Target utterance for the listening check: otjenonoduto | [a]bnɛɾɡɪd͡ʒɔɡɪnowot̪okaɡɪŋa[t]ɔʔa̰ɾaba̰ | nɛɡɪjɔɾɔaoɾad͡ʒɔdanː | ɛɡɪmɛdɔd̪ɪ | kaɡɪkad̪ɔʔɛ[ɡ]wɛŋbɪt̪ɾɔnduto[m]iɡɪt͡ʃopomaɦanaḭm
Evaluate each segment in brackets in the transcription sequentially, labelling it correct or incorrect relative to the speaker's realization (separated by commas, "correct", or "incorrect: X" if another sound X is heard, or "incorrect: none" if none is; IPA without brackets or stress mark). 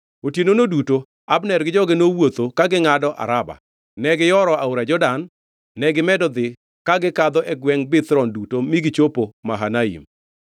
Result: correct, incorrect: d, correct, correct